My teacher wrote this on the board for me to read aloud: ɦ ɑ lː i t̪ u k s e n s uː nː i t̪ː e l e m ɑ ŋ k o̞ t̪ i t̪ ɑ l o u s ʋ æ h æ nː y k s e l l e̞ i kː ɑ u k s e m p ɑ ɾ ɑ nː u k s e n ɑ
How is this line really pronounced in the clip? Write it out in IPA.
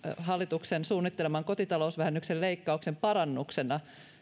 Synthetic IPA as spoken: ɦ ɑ lː i t̪ u k s e n s uː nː i t̪ː e l e m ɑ ŋ k o̞ t̪ i t̪ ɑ l o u s ʋ æ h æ nː y k s e l l e̞ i kː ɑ u k s e m p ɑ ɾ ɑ nː u k s e n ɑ